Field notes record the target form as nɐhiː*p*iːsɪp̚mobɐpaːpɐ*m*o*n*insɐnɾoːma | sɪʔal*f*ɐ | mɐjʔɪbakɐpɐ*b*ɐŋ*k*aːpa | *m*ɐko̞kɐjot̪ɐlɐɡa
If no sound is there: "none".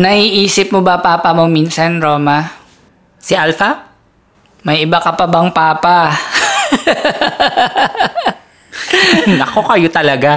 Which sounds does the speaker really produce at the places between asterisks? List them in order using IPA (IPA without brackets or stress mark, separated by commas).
ʔ, m, m, f, b, p, n